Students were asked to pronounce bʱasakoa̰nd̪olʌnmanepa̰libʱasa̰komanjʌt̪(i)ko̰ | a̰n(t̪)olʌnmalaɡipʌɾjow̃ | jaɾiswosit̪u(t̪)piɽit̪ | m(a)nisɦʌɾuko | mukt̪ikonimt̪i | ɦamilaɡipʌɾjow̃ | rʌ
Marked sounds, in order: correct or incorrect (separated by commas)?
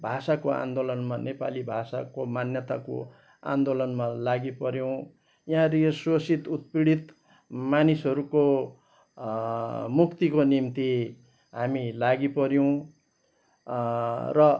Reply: incorrect, incorrect, correct, correct